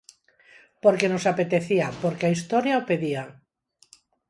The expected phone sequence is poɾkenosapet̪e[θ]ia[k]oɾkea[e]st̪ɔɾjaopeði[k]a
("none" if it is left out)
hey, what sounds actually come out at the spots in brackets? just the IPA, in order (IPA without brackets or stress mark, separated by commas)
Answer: θ, p, i, none